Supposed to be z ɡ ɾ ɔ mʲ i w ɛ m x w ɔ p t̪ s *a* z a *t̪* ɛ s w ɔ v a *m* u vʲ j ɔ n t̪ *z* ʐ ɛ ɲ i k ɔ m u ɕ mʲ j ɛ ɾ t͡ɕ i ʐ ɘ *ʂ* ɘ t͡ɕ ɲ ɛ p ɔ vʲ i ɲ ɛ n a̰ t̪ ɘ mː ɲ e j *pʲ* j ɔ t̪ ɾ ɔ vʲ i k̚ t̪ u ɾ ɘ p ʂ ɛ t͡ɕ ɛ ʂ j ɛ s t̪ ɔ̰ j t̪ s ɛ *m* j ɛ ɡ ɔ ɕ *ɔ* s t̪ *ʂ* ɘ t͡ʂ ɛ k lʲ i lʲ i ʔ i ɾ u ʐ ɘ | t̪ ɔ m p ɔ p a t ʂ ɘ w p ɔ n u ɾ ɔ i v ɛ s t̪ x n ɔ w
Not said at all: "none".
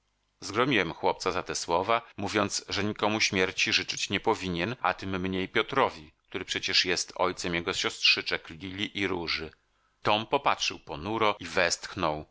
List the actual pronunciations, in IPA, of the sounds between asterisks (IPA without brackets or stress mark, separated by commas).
a, t̪, m, s, t͡ʂ, pʲ, m, ɔ, ʂ